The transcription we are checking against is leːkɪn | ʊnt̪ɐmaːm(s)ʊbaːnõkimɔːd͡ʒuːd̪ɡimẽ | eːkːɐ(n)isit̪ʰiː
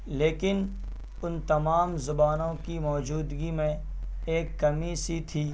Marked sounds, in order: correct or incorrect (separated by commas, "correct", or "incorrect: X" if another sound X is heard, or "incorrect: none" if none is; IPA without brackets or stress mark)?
incorrect: z, incorrect: m